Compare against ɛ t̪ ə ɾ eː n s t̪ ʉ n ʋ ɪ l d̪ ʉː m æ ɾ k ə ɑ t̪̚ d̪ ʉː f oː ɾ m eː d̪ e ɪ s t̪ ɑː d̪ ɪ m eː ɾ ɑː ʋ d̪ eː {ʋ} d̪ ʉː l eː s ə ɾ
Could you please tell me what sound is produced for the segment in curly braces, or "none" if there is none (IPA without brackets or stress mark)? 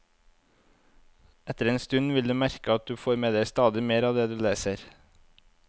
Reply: none